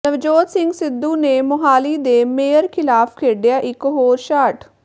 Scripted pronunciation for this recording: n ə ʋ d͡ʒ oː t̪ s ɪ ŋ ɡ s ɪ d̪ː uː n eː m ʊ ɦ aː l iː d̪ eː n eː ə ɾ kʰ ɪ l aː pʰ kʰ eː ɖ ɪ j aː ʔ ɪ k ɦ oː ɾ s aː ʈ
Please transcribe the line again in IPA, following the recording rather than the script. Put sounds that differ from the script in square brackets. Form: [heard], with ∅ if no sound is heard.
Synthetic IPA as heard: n ə ʋ d͡ʒ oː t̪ s ɪ ŋ ɡ s ɪ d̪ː uː n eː m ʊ ɦ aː l iː d̪ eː [m] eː ə ɾ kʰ ɪ l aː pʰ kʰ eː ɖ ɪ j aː ʔ ɪ k ɦ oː ɾ [ʃ] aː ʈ